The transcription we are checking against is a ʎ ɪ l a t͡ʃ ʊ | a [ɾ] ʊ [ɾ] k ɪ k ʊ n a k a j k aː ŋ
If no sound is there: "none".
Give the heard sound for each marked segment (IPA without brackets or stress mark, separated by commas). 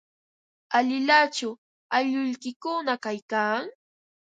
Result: ʎ, ʎ